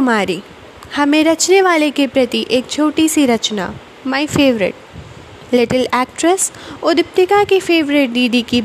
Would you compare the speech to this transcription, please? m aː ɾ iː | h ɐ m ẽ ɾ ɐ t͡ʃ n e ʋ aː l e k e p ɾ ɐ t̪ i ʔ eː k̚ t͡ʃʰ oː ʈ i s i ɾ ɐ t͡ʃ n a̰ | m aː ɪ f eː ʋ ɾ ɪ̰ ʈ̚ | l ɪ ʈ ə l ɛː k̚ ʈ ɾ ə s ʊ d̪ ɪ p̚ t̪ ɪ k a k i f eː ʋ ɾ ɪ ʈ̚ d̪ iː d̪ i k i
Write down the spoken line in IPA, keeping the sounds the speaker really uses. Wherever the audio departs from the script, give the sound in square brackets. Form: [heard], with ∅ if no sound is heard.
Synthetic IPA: m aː ɾ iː | h ɐ m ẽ ɾ ɐ t͡ʃ n e ʋ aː l e k e p ɾ ɐ t̪ i ʔ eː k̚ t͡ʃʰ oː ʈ i s i ɾ ɐ t͡ʃ n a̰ | m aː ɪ f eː ʋ ɾ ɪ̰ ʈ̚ | l ɪ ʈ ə l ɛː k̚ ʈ ɾ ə s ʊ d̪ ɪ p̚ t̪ ɪ k a k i f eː ʋ ɾ ɪ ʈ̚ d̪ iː d̪ i k i